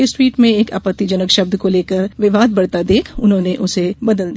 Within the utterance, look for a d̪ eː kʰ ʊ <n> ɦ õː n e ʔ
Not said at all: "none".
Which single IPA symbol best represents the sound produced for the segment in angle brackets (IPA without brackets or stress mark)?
n